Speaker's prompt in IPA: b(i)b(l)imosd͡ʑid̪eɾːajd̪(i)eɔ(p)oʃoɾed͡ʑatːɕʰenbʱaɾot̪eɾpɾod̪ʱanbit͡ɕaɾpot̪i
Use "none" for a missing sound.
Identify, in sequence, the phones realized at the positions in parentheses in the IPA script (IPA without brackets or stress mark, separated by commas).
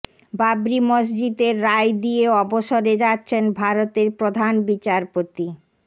a, ɾ, i, b